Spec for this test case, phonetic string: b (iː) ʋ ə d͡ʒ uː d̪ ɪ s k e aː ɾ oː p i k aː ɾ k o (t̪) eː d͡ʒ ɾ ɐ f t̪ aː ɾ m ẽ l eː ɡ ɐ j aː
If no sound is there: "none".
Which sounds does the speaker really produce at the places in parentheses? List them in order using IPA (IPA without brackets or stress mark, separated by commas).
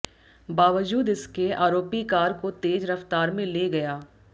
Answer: aː, t̪